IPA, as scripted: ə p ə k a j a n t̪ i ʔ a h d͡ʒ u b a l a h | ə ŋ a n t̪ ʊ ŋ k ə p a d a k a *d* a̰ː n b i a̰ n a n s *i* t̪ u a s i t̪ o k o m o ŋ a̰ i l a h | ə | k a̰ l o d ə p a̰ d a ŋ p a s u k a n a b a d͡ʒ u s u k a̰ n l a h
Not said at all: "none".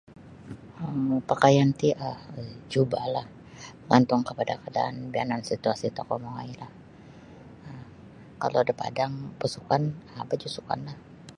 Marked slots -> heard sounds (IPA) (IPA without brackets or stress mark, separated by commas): d, i